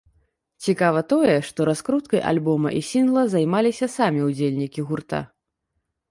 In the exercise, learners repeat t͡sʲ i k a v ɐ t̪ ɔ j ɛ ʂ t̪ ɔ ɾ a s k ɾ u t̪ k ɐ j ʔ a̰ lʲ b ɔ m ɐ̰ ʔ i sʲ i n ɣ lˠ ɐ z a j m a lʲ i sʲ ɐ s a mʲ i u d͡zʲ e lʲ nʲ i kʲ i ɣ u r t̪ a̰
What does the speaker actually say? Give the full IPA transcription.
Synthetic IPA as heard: t͡sʲ i k a v ɐ t̪ ɔ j ɛ ʂ t̪ ɔ ɾ a s k ɾ u t̪ k ɐ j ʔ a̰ lʲ b ɔ m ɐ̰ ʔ i sʲ i n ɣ lˠ ɐ z a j m a lʲ i sʲ ɐ s a mʲ i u d͡zʲ e lʲ nʲ i kʲ i ɣ u r t̪ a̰